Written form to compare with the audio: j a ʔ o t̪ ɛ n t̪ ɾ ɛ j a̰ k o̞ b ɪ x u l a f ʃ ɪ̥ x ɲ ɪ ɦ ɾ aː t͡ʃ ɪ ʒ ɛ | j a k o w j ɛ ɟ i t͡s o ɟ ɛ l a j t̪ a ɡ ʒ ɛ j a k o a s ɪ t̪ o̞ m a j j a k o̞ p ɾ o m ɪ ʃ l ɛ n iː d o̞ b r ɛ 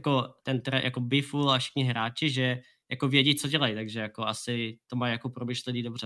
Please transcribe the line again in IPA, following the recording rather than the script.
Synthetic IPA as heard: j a k o t̪ ɛ n t̪ ɾ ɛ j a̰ k o̞ b ɪ f u l a f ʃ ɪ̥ x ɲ ɪ ɦ ɾ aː t͡ʃ ɪ ʒ ɛ | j a k o v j ɛ ɟ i t͡s o ɟ ɛ l a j t̪ a ɡ ʒ ɛ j a k o a s ɪ t̪ o̞ m a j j a k o̞ p ɾ o m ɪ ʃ l ɛ n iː d o̞ b r ɛ